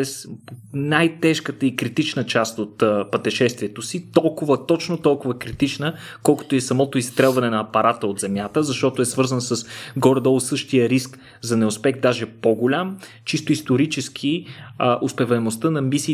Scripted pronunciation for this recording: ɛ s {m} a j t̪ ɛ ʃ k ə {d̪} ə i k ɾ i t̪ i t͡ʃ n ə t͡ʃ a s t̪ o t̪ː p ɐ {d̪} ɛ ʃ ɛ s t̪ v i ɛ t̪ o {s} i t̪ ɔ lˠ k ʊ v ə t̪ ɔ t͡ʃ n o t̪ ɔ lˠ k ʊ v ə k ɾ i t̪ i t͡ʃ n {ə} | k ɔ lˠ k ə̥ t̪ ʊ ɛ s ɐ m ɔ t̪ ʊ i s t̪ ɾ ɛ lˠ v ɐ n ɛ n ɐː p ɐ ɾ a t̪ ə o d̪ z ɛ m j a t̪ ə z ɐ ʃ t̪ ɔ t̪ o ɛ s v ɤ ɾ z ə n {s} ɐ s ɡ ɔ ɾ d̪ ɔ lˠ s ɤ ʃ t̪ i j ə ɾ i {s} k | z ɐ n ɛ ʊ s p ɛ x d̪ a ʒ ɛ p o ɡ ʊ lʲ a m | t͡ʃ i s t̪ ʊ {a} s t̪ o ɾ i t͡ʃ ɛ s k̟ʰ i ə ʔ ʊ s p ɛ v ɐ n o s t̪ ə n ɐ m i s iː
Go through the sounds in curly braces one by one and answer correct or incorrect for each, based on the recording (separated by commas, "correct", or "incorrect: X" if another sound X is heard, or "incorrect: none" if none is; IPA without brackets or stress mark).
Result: incorrect: n, incorrect: t̪, incorrect: t̪, correct, correct, correct, correct, incorrect: i